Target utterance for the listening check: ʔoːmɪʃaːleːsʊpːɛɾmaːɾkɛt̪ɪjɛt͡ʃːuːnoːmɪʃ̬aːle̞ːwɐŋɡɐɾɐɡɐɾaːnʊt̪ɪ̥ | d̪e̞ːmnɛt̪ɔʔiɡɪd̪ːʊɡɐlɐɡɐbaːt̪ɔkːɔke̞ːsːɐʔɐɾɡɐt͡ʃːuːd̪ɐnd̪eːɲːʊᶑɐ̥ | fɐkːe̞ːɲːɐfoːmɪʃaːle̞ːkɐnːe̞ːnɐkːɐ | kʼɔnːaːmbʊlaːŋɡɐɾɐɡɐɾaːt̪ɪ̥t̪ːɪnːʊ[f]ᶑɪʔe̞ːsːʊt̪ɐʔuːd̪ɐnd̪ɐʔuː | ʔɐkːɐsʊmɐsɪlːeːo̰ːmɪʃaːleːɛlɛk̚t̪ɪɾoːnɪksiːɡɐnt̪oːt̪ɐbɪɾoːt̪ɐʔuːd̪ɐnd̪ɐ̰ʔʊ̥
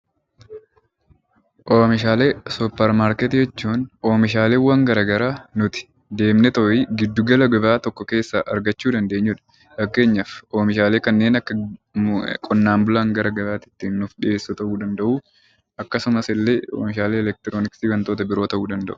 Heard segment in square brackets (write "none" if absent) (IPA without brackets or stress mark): f